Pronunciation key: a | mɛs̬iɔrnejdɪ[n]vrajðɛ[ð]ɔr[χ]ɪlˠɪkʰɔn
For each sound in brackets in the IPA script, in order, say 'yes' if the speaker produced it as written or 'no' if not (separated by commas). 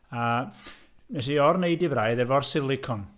no, no, no